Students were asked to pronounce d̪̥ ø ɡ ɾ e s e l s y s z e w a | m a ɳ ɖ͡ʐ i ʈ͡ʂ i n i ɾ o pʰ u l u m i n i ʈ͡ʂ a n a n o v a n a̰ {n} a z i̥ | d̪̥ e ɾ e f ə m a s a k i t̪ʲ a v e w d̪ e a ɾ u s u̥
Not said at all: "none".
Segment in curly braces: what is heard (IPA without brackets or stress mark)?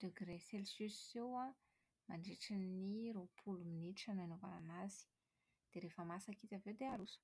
n